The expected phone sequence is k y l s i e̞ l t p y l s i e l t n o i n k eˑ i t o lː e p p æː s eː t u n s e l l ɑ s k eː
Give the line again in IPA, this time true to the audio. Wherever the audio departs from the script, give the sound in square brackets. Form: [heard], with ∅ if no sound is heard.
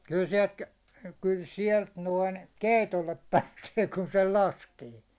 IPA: k y l s i e̞ l t [k] y l s i e l t n o i n k eˑ i t o lː e p p æː s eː [k] u n s e l l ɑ s k eː

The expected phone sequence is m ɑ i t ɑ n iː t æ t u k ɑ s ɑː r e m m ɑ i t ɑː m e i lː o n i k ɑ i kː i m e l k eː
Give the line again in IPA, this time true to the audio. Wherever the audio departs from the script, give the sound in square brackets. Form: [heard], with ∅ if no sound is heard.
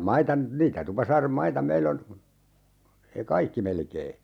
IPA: m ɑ i t ɑ n iː t æ t u [p] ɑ s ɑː r e m m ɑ i t [ɑ] m e i lː o n [e] k ɑ i kː i m e l k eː

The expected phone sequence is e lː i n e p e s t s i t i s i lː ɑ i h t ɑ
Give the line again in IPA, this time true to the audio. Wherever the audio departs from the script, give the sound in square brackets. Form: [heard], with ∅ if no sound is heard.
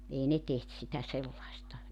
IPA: e [∅] i n e [t] e [h] t s i t [æ] s [e] lː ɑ i [s] t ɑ

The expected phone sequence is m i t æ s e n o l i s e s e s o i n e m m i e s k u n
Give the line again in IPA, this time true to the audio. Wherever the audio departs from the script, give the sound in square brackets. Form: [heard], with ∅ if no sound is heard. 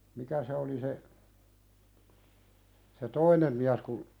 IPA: m i [k] æ s e [∅] o l i s e s e [t] o i n e m m i [æ] s k u n

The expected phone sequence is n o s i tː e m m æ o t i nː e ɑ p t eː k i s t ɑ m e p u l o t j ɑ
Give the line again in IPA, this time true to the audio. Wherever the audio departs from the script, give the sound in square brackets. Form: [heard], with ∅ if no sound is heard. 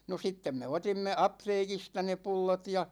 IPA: n o s i tː e m m [e] o t i [mː] e ɑ p t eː k i s t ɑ [n] e p u [lː] o t j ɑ

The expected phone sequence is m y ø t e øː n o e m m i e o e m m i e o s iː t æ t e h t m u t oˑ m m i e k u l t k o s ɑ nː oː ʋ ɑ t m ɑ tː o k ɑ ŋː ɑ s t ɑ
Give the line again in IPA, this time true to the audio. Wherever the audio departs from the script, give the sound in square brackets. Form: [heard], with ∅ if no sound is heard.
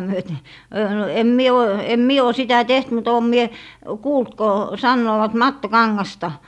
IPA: m y ø t e øː n o e m m i e o e m m i e o s [i] t æ t e h t m u t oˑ m m i e k [uː] l t k o s ɑ nː oː ʋ ɑ t m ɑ tː o k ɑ ŋː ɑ s t ɑ

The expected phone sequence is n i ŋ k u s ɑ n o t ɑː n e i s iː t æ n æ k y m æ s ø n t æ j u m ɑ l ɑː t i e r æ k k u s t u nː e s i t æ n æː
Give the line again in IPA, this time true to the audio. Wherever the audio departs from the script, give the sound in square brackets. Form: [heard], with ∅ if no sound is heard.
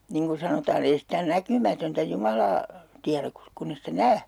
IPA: n i ŋ k u s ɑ n o t ɑː n e i s [i] t æ n æ k y m æ [t] ø n t æ j u m ɑ l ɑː t i [æ] r æ k k u s [k] u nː e s i t æ n æː

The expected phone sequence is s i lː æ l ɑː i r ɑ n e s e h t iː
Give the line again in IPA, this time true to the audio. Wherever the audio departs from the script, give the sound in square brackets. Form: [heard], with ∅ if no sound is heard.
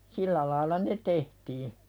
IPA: s i lː æ l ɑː i [l] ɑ n e [t] e h t iː

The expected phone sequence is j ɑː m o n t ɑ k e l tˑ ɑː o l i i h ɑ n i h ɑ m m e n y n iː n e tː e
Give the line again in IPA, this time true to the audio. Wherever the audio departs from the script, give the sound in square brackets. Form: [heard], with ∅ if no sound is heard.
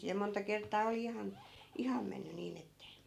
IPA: j [ɑ] m o n t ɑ k e [r] tˑ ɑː o l i i h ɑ n i h ɑ m m e [nː] y n iː n e tː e

